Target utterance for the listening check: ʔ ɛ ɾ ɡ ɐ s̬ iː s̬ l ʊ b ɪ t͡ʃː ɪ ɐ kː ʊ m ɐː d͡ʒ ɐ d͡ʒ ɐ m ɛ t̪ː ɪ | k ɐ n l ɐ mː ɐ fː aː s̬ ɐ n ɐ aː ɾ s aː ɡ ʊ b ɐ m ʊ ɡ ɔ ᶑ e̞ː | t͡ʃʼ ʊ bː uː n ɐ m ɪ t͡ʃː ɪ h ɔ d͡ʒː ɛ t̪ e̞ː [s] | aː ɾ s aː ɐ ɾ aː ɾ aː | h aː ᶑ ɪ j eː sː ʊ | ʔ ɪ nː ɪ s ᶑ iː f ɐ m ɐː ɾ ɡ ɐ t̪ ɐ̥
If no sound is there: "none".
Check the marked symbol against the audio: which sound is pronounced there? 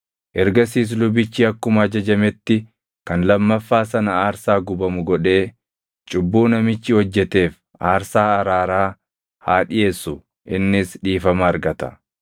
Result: f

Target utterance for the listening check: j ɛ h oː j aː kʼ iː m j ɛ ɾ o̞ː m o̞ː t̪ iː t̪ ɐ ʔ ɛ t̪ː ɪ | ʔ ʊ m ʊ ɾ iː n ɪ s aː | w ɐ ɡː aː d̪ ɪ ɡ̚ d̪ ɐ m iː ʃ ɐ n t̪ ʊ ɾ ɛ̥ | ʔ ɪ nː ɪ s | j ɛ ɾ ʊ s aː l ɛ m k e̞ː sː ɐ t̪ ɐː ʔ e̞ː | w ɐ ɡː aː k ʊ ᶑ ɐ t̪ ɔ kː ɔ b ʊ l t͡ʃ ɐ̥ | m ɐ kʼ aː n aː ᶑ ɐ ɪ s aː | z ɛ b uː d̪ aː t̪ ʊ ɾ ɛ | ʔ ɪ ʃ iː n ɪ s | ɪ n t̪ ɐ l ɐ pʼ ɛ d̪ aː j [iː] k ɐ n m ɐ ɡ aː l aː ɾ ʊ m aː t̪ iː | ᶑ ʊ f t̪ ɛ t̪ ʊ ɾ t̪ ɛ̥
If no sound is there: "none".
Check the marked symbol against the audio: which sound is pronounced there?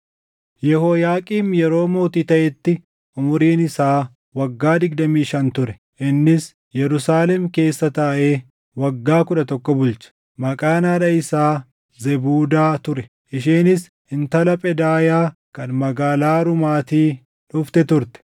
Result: aː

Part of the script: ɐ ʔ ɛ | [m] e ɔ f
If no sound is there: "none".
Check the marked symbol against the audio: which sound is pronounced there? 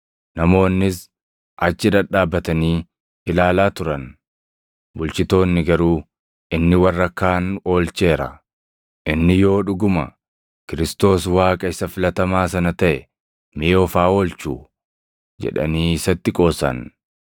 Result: m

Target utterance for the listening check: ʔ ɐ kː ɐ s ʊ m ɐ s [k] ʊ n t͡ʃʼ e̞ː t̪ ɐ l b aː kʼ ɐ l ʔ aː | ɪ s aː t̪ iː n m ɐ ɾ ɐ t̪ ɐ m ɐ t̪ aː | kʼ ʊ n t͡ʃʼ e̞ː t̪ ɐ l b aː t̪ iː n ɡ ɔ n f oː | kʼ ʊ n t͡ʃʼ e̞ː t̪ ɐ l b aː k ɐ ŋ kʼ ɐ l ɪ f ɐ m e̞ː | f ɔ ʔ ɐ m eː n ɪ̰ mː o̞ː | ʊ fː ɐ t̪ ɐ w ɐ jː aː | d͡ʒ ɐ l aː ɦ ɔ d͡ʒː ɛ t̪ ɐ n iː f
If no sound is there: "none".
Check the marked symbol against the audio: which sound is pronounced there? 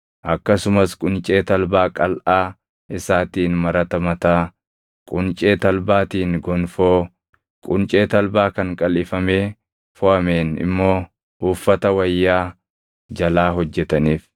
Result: kʼ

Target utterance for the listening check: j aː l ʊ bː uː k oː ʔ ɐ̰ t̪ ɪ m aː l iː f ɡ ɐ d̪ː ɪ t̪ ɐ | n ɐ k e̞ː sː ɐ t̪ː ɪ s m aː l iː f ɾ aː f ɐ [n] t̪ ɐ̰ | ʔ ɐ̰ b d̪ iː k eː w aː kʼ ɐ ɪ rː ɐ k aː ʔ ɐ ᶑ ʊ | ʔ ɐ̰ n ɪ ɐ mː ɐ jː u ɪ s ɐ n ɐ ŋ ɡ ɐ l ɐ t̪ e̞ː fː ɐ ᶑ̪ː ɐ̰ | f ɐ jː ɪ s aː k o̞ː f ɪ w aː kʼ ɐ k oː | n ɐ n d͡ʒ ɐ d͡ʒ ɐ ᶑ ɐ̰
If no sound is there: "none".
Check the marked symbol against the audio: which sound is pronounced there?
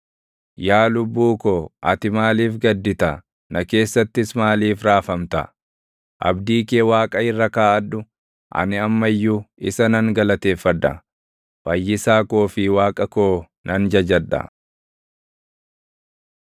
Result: m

